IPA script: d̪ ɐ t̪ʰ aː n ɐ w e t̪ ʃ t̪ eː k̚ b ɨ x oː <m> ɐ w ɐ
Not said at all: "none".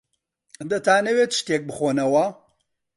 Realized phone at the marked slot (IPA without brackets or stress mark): n